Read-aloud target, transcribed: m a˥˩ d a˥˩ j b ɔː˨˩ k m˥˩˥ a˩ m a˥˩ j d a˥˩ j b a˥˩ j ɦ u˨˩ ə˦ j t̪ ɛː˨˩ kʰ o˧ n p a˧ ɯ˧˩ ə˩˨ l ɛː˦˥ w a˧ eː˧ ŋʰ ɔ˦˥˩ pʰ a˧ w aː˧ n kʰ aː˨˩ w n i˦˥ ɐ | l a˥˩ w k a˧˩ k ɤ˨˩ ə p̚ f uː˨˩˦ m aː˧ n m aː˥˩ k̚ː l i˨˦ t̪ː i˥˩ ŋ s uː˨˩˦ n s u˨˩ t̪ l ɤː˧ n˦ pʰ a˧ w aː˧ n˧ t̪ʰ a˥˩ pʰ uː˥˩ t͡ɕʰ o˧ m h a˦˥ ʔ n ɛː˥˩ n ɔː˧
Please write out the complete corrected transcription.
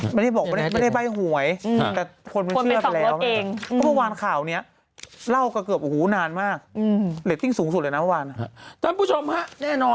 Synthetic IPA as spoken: m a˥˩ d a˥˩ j b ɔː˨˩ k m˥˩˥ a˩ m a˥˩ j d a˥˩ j b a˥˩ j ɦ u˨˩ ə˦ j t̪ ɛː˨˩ kʰ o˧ n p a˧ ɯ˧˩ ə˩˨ l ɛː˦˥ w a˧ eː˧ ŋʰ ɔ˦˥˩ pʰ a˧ w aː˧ n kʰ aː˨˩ w n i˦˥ ɐ | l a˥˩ w k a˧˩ k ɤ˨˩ ə p̚ h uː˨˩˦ n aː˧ n m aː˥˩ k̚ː l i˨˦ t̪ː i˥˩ ŋ s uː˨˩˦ ŋ s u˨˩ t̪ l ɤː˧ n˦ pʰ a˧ w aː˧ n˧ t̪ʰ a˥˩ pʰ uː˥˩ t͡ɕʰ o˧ m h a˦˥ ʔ n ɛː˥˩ n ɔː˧